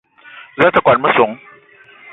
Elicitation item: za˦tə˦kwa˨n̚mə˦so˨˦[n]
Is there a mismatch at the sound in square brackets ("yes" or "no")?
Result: yes